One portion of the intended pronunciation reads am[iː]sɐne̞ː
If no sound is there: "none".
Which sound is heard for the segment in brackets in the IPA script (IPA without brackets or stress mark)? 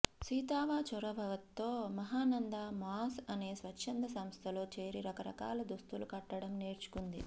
aː